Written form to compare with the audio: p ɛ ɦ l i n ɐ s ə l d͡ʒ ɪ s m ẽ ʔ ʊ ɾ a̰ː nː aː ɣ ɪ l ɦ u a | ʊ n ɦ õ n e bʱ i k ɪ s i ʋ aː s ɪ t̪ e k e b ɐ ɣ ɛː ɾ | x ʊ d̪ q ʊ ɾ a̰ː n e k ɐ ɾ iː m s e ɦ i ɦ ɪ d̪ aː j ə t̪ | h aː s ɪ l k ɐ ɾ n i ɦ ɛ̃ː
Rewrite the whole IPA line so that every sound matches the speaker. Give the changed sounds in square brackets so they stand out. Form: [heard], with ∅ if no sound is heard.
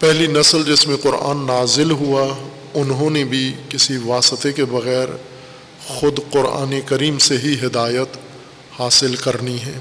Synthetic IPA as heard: p ɛ ɦ l i n ɐ s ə l d͡ʒ ɪ s m ẽ [q] ʊ ɾ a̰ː nː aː [z] ɪ l ɦ u a | ʊ n ɦ õ n e bʱ i k ɪ s i ʋ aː s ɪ t̪ e k e b ɐ ɣ ɛː ɾ | x ʊ d̪ q ʊ ɾ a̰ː n e k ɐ ɾ iː m s e ɦ i ɦ ɪ d̪ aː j ə t̪ | h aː s ɪ l k ɐ ɾ n i ɦ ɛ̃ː